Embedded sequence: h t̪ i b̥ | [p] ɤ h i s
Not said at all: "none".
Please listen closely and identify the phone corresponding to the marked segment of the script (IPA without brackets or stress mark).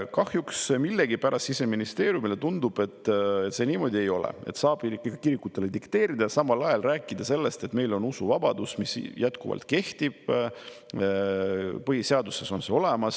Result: p